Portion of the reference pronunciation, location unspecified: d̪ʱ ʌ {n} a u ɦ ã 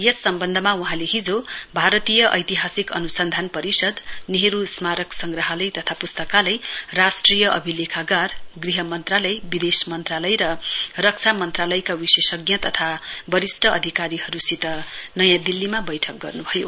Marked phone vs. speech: incorrect: m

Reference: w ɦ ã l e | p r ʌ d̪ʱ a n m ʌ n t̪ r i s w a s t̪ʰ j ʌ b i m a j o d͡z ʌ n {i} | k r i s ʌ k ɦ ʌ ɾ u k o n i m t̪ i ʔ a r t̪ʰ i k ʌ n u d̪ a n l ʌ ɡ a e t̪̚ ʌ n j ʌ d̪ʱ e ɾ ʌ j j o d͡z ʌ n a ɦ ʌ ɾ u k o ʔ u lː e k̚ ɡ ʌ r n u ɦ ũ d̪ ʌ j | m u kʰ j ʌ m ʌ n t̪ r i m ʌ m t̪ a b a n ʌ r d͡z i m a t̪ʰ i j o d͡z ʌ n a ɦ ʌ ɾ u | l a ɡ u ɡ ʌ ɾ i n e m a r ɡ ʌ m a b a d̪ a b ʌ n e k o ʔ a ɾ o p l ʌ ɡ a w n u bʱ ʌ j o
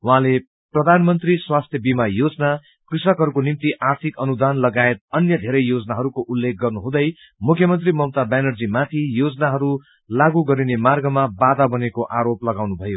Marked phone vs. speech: incorrect: a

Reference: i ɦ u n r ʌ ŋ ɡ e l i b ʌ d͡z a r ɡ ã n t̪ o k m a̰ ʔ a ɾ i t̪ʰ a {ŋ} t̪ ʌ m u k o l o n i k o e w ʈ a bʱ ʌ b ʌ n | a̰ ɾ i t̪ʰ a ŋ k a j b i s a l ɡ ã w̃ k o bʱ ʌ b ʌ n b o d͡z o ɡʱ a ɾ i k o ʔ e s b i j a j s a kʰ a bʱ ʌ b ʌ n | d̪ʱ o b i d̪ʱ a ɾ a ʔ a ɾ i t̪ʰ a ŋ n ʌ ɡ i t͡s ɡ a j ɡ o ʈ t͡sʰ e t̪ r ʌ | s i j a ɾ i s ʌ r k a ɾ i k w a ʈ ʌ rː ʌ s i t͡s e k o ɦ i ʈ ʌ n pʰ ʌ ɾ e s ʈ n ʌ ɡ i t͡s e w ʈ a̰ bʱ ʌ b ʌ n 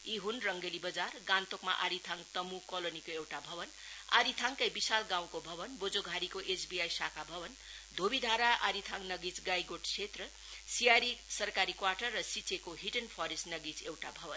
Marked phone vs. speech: correct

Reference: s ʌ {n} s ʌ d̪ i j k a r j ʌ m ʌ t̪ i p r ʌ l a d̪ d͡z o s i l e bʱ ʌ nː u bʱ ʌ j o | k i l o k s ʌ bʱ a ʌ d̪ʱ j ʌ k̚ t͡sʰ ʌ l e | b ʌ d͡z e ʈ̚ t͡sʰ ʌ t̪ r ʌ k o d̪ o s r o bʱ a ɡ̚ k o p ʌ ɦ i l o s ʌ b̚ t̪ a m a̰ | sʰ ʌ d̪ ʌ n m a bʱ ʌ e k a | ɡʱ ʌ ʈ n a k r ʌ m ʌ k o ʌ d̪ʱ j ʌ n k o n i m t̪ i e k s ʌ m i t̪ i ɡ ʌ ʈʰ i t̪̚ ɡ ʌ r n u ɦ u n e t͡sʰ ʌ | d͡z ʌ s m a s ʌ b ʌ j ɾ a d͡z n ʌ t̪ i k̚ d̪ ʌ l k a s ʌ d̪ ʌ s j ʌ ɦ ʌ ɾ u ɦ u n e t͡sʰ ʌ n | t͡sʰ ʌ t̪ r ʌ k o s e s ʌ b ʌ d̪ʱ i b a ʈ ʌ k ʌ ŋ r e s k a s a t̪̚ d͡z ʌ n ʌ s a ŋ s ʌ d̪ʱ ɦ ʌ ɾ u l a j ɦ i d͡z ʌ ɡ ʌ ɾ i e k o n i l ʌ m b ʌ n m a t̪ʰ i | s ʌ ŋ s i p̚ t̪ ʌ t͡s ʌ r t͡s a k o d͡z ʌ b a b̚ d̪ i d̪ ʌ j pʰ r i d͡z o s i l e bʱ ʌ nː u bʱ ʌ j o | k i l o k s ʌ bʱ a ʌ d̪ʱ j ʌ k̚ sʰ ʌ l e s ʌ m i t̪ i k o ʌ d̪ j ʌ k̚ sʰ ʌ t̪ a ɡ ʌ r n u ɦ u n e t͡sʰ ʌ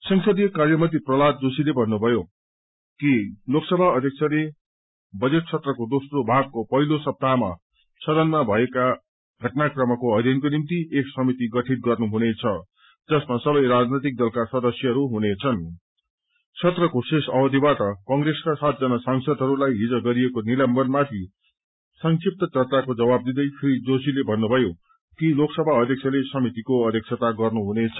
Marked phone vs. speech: incorrect: ŋ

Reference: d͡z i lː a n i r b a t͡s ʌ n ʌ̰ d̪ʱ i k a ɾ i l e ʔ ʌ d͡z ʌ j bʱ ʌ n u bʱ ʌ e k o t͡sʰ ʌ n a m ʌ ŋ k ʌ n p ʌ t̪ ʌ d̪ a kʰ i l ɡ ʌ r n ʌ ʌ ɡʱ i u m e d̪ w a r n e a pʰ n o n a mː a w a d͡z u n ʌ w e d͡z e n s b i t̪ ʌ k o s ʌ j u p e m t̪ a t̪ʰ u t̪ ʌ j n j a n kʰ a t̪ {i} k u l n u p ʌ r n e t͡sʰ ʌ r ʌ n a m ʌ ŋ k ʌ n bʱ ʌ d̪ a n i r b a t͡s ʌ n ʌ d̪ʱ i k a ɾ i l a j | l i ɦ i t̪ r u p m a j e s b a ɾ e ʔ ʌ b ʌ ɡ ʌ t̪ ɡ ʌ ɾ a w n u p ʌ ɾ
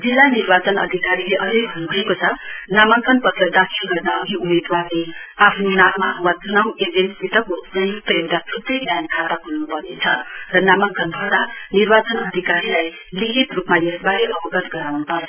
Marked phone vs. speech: incorrect: a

